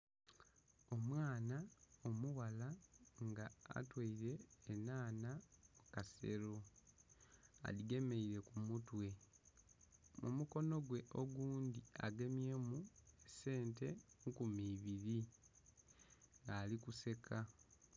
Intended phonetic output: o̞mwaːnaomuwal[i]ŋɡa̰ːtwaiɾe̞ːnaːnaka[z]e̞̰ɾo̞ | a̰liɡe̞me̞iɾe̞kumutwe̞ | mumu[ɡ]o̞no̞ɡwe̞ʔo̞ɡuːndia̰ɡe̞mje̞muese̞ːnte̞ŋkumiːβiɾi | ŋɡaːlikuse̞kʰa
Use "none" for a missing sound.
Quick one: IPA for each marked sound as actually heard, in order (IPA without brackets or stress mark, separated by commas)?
a, s, k